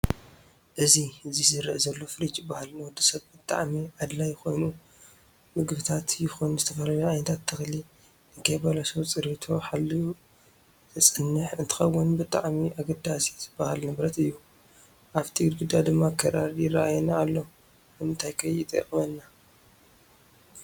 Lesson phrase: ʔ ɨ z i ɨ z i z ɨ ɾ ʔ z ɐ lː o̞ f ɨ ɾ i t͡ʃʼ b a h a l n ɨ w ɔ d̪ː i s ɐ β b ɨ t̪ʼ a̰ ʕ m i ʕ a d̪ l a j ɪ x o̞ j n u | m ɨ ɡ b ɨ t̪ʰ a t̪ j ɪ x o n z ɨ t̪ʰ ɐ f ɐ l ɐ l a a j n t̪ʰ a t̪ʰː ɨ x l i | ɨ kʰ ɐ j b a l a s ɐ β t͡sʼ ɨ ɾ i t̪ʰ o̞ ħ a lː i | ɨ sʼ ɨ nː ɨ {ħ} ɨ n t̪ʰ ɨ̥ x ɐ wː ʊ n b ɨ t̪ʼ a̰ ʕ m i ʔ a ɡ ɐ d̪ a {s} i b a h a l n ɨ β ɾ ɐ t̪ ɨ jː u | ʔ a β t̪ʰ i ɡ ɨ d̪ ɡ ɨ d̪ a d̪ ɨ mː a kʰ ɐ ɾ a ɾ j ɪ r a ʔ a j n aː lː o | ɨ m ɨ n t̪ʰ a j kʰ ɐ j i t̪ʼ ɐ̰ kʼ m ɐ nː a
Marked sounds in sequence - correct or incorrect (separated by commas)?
correct, correct